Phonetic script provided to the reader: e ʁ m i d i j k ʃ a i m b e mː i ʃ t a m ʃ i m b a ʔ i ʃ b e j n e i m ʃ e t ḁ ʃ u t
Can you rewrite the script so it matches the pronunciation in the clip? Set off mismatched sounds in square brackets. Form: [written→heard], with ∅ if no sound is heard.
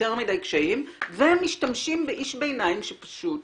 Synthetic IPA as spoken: e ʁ m i d [i→a] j k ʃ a i m [b→v] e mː i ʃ t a m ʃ i m b [a→e] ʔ i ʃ b e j n [e→a] i m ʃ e [t→p] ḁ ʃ u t